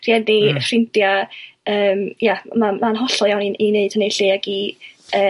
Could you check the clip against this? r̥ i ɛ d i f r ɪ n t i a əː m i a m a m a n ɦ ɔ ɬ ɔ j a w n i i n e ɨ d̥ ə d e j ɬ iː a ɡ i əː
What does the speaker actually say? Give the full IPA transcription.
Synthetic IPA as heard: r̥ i ɛ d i f r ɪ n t j a əː m j a m a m a n ɦ ɔ ɬ ɔ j a w n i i n e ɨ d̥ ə n e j ɬ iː a ɡ i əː